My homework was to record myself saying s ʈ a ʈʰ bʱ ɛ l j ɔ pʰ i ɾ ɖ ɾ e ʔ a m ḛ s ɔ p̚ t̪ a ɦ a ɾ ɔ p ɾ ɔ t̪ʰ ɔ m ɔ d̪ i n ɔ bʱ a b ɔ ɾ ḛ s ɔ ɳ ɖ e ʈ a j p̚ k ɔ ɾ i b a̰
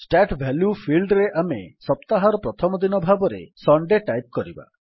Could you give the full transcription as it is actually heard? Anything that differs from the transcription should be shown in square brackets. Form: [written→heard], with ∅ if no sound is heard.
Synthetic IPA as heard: s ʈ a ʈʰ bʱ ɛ l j [ɔ→u] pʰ i [ɾ→l] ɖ ɾ e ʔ a m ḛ s ɔ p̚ t̪ a ɦ a ɾ ɔ p ɾ ɔ t̪ʰ ɔ m ɔ d̪ i n ɔ bʱ a b ɔ ɾ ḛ s ɔ ɳ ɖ e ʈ a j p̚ k ɔ ɾ i b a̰